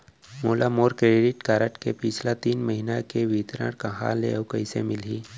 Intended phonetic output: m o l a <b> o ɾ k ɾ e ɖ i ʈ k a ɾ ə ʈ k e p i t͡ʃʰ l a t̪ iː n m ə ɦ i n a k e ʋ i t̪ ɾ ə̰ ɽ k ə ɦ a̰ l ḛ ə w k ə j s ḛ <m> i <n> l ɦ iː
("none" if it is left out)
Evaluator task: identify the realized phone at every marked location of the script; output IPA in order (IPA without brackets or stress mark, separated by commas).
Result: m, m, none